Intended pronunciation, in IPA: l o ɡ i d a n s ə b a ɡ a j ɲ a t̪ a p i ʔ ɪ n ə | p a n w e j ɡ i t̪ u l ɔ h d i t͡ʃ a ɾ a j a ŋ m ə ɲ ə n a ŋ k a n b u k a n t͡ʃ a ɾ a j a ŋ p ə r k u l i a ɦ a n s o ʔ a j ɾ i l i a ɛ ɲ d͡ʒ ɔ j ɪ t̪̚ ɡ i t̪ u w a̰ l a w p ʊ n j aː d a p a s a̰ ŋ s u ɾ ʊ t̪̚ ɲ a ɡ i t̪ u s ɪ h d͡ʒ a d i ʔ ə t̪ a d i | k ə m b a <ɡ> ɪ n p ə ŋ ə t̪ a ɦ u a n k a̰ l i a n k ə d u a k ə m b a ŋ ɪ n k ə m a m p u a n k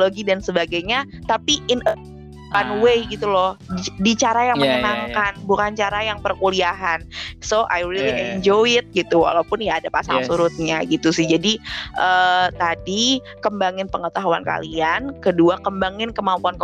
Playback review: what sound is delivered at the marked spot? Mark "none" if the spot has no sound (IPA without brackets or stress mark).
ŋ